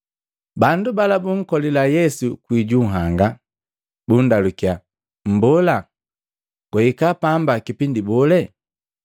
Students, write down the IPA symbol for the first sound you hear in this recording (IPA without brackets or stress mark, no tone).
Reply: b